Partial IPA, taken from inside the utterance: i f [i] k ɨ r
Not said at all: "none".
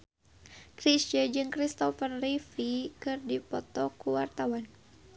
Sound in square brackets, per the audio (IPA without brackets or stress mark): i